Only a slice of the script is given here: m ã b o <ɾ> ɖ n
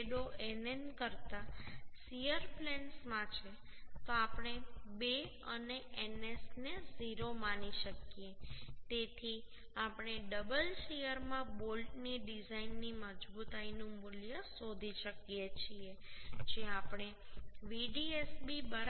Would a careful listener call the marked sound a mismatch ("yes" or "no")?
yes